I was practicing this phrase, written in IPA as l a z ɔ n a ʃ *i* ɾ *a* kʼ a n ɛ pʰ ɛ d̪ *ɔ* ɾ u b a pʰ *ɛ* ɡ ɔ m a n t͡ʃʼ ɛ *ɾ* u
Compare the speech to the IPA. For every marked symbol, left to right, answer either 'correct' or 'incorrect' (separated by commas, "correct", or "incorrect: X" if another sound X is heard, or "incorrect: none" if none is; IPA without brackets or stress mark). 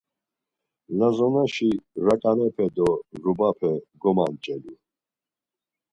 correct, correct, correct, correct, incorrect: l